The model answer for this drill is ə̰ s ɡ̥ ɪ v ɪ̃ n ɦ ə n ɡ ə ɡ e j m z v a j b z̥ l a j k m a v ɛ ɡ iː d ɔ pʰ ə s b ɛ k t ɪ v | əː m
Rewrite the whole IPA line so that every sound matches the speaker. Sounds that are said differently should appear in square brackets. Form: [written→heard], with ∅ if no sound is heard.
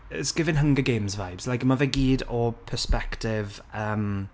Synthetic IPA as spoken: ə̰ s ɡ̥ ɪ v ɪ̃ n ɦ ə [n→ŋ] ɡ ə ɡ e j m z v a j b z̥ l a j k m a v ɛ ɡ iː d ɔ pʰ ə s [b→p] ɛ k t ɪ v | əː m